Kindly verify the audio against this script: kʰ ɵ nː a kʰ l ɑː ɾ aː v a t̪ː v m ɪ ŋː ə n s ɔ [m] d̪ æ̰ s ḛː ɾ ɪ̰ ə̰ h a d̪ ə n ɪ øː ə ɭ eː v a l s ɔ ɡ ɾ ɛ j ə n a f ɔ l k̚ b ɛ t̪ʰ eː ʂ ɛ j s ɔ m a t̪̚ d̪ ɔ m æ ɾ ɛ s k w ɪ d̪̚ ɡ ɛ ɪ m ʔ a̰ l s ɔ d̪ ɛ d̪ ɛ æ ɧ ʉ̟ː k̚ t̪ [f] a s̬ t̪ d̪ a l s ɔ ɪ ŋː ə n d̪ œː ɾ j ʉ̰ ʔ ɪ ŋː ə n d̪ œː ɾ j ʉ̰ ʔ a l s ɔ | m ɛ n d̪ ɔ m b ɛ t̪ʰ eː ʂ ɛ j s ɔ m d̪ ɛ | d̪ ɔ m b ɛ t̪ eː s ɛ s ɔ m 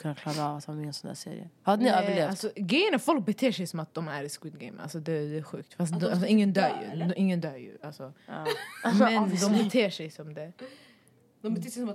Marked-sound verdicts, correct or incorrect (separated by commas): incorrect, correct